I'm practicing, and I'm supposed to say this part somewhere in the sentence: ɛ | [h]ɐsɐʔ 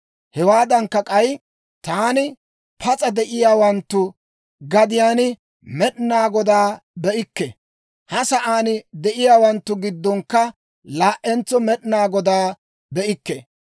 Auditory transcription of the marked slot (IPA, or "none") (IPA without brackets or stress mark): h